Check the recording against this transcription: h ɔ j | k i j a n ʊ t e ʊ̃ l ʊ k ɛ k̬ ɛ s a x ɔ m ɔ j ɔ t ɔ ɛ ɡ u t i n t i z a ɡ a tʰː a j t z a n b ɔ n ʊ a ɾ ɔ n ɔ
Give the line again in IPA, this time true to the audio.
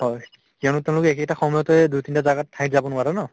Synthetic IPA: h ɔ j | k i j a n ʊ t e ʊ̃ l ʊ k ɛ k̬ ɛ t a x ɔ m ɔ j ɔ t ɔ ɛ d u t i n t a z a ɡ a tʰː a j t z a b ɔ n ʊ a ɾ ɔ n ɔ